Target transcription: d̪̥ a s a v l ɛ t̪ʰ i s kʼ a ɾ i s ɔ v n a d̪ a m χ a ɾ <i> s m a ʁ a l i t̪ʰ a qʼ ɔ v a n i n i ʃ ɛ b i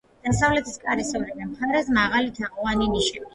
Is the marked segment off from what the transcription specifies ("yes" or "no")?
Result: yes